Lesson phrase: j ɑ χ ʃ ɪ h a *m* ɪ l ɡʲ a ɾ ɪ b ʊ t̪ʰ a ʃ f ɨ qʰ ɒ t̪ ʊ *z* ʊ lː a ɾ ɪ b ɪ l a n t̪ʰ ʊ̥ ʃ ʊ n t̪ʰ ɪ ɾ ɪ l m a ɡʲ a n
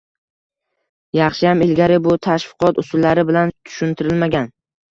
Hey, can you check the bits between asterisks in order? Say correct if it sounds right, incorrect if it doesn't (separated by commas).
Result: correct, incorrect